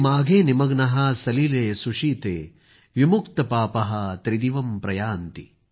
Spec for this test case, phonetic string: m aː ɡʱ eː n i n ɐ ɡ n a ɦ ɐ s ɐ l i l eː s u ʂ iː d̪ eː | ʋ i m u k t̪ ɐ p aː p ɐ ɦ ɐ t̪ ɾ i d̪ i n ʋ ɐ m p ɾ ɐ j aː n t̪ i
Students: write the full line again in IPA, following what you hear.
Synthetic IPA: m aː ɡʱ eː n i m ɐ ɡ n ɐ ɦ ɐ s ɐ l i l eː s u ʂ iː t̪ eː | ʋ i m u k t̪ ɐ p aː p ɐ ɦ ɐ t̪ ɾ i d̪ i ʋ ɐ m p ɾ ɐ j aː n t̪ i